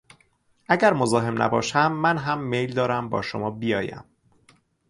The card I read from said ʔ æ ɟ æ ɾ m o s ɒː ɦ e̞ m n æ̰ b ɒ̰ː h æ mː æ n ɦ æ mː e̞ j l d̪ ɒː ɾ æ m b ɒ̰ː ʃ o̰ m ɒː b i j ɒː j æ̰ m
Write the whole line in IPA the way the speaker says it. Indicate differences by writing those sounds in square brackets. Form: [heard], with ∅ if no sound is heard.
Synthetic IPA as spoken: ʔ æ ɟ æ ɾ m o [z] ɒː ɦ e̞ m n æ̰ b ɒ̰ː [ʃ] æ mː æ n ɦ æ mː e̞ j l d̪ ɒː ɾ æ m b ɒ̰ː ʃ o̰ m ɒː b i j ɒː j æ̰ m